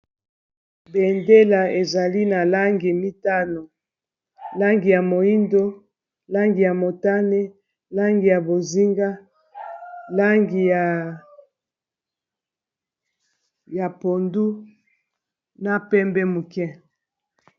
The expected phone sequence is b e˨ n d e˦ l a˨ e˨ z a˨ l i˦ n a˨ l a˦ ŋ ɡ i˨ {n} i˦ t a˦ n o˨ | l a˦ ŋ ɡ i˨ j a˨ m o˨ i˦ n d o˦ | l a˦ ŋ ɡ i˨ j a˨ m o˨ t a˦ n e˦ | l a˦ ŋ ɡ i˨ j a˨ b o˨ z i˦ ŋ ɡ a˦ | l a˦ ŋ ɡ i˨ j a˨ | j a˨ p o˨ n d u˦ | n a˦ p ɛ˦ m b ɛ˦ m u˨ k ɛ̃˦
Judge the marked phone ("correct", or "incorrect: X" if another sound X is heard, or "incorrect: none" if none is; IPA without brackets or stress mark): incorrect: m